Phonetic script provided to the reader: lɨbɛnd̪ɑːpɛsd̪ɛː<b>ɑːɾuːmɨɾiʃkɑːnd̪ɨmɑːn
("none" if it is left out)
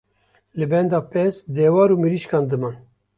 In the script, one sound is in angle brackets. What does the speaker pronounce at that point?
w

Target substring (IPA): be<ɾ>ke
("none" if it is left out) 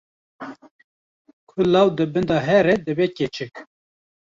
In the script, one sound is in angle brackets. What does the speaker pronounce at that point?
none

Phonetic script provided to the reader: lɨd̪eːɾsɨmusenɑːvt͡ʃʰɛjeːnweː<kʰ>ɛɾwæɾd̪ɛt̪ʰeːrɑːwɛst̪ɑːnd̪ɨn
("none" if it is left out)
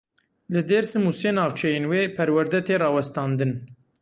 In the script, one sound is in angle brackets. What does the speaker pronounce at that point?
pʰ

